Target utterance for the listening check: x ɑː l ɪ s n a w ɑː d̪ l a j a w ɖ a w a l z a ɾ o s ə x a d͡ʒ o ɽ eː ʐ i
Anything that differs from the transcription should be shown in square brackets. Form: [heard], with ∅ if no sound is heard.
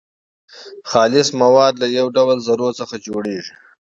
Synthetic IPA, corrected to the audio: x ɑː l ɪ s [m] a w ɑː d̪ l a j a w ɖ a w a l z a ɾ o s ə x a d͡ʒ o ɽ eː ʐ i